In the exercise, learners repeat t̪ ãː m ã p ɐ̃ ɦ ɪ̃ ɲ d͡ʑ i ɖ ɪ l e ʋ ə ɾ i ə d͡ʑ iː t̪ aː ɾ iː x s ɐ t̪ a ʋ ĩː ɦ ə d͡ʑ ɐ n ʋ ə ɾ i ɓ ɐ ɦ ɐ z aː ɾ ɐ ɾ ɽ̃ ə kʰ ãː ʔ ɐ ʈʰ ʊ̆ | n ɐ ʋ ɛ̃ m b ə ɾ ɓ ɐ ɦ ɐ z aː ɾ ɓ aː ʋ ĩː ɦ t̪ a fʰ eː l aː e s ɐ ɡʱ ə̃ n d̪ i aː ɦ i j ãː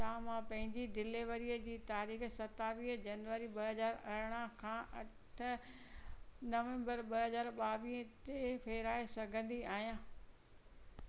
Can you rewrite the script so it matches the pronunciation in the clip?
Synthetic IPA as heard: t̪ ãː m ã p ɐ̃ ɦ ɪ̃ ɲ d͡ʑ i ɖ ɪ l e ʋ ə ɾ i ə d͡ʑ iː t̪ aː ɾ iː x s ɐ t̪ a ʋ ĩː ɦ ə d͡ʑ ɐ n ʋ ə ɾ i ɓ ɐ ɦ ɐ z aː ɾ ɐ ɾ ɽ̃ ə kʰ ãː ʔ ɐ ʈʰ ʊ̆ | n ɐ ʋ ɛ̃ m b ə ɾ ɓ ɐ ɦ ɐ z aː ɾ ɓ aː ʋ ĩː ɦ t̪ e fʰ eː ɾ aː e s ɐ ɡʱ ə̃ n d̪ i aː ɦ i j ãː